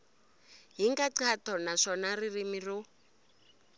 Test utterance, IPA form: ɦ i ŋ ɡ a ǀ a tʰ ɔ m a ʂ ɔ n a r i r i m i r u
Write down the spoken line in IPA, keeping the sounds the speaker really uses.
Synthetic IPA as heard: ɦ i ŋ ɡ a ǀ a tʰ ɔ n a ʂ ɔ n a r i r i m i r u